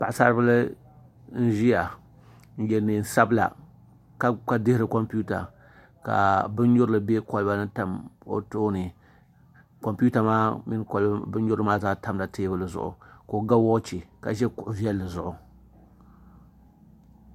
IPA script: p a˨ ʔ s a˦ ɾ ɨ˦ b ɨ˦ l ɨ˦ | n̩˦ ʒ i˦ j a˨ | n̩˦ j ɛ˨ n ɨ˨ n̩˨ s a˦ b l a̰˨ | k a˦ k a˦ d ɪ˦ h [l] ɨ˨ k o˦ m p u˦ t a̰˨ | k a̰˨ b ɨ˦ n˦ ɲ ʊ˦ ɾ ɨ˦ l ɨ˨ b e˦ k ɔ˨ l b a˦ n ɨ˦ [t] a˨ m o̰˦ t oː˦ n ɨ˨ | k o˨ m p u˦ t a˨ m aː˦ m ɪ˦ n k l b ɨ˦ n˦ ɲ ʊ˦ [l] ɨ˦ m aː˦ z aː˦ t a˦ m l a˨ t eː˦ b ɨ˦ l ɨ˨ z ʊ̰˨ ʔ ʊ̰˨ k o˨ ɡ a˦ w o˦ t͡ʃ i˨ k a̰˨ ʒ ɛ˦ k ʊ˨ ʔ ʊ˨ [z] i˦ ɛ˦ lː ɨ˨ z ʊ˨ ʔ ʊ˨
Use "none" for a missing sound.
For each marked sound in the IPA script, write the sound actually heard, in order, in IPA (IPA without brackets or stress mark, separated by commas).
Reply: ɾ, t, ɾ, v